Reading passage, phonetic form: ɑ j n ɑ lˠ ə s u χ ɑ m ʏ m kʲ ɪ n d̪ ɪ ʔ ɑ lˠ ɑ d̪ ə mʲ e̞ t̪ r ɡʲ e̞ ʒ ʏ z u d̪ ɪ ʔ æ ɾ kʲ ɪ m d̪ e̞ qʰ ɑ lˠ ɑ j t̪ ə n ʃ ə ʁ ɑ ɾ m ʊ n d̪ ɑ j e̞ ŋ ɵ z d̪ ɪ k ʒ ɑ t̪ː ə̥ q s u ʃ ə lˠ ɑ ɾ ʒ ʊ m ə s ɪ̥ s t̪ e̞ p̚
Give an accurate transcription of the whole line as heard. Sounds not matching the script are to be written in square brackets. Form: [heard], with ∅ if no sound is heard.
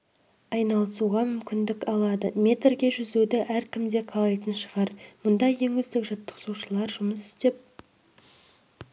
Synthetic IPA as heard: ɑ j n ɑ lˠ ə s u [ʁ] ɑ m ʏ m kʲ ɪ n d̪ ɪ [k] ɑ lˠ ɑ d̪ ə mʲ e̞ t̪ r ɡʲ e̞ ʒ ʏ z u d̪ ɪ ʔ æ ɾ kʲ ɪ m d̪ e̞ qʰ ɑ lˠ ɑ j t̪ ə n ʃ ə ʁ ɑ ɾ m ʊ n d̪ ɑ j e̞ ŋ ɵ z d̪ ɪ k ʒ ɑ t̪ː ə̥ q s u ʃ ə lˠ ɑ ɾ ʒ ʊ m ə s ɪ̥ s t̪ e̞ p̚

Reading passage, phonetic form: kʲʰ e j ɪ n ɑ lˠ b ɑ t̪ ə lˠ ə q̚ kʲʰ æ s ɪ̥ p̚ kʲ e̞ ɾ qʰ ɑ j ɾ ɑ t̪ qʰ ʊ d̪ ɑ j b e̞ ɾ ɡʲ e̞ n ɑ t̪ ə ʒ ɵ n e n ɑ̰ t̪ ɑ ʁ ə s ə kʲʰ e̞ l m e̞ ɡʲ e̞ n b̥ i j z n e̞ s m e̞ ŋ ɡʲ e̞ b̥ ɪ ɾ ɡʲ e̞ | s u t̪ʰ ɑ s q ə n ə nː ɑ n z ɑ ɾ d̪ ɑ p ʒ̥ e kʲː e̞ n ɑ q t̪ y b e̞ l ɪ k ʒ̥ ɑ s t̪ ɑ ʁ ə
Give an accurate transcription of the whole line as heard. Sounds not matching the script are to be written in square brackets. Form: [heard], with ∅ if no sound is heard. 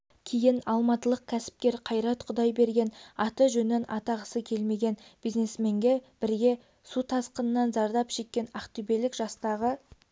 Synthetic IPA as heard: kʲʰ e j ɪ n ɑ lˠ [m] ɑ t̪ ə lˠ ə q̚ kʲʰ æ s ɪ̥ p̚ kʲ e̞ ɾ qʰ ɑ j ɾ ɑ t̪ qʰ ʊ d̪ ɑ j b e̞ ɾ ɡʲ e̞ n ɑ t̪ ə ʒ ɵ n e n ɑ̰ t̪ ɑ ʁ ə s ə kʲʰ e̞ l m e̞ ɡʲ e̞ n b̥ i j z n e̞ s m e̞ ŋ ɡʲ e̞ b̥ ɪ ɾ ɡʲ e̞ | s u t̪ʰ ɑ s q ə n ə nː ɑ n z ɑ ɾ d̪ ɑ p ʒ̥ e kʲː e̞ n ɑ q t̪ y b e̞ l ɪ k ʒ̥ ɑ s t̪ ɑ ʁ ə

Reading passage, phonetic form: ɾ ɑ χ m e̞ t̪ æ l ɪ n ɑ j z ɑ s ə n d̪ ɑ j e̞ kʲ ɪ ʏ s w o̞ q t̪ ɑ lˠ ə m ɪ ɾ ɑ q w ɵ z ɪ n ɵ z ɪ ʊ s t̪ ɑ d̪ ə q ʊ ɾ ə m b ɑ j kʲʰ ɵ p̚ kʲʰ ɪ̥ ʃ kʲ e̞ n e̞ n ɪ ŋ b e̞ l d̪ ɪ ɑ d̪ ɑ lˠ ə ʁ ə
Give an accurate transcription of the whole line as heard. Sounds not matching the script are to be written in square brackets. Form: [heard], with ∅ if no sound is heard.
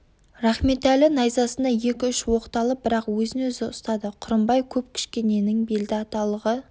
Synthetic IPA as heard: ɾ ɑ χ m e̞ t̪ æ l ɪ n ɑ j z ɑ s ə n d̪ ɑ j e̞ kʲ ɪ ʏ [ʃ] w o̞ q t̪ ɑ lˠ ə [b] ɪ ɾ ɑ q w ɵ z ɪ n ɵ z ɪ ʊ s t̪ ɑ d̪ ə [qʰ] ʊ ɾ ə m b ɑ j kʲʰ ɵ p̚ kʲʰ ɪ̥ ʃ kʲ e̞ n e̞ n ɪ ŋ b e̞ l d̪ ɪ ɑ [t̪] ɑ lˠ ə ʁ ə

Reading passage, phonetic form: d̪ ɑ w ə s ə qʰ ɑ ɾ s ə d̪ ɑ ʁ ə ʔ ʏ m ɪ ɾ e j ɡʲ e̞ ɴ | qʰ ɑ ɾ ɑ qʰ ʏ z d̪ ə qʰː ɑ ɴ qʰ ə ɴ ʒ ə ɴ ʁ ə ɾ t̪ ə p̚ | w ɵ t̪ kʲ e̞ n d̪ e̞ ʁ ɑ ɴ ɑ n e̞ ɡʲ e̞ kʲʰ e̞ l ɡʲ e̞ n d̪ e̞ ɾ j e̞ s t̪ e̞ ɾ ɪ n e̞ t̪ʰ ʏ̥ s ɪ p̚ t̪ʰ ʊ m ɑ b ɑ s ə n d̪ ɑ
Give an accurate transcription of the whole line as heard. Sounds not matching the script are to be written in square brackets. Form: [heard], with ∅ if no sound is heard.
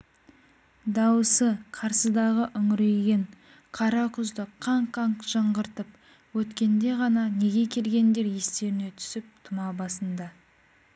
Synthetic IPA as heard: d̪ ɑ w ə s ə qʰ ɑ ɾ s ə d̪ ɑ ʁ ə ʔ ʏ [ŋ] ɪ ɾ e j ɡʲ e̞ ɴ | qʰ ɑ ɾ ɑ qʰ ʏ z d̪ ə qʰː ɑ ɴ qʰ [ɑ] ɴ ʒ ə ɴ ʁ ə ɾ t̪ ə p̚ | w ɵ t̪ kʲ e̞ n d̪ e̞ ʁ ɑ [n] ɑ n e̞ ɡʲ e̞ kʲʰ e̞ l ɡʲ e̞ n d̪ e̞ ɾ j e̞ s t̪ e̞ ɾ ɪ n e̞ t̪ʰ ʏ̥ s ɪ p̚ t̪ʰ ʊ m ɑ b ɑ s ə n d̪ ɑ

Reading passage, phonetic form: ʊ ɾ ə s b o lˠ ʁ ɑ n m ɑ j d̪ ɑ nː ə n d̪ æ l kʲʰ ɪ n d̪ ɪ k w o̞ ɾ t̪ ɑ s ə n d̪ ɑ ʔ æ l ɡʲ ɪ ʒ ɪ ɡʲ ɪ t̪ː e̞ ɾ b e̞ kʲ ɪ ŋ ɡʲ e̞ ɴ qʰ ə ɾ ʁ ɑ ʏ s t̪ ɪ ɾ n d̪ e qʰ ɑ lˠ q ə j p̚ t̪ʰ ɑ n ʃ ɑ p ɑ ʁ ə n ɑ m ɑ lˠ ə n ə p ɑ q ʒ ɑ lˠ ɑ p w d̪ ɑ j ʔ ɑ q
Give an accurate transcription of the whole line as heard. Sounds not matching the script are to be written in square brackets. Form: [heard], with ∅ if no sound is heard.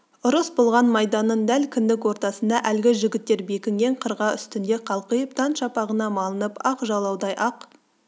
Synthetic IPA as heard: ʊ ɾ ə s b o lˠ ʁ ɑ n m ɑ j d̪ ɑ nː ə n d̪ æ l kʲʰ ɪ n d̪ ɪ k w o̞ ɾ t̪ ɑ s ə n d̪ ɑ ʔ æ l ɡʲ ɪ ʒ ɪ ɡʲ ɪ t̪ː e̞ ɾ b e̞ kʲ ɪ ŋ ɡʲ e̞ ɴ qʰ ə ɾ ʁ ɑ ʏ s t̪ ɪ [∅] n d̪ e qʰ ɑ lˠ q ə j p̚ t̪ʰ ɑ n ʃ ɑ p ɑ ʁ ə n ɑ m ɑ lˠ ə n ə p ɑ q ʒ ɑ lˠ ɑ [∅] w d̪ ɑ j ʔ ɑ q

